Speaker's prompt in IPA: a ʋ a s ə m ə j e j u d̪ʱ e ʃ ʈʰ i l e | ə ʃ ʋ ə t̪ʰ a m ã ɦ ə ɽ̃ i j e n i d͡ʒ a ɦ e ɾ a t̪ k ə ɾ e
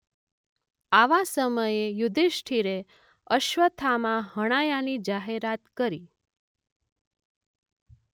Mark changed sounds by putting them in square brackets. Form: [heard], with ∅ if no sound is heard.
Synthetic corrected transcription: a ʋ a s ə m ə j e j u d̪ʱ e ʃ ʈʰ i [ɾ] e | ə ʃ ʋ ə t̪ʰ a m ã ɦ ə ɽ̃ [a] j [a] n i d͡ʒ a ɦ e ɾ a t̪ k ə ɾ [i]